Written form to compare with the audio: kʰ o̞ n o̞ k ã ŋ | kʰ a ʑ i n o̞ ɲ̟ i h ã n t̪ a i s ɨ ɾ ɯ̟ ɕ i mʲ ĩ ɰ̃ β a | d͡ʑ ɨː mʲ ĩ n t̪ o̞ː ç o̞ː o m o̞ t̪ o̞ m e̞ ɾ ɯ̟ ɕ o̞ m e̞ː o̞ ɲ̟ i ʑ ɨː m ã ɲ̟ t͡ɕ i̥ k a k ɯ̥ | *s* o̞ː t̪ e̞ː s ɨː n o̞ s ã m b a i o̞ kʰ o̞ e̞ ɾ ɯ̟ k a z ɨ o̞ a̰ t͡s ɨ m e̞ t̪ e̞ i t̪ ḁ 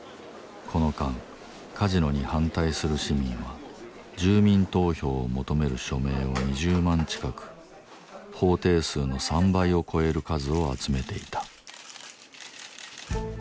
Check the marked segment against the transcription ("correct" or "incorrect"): incorrect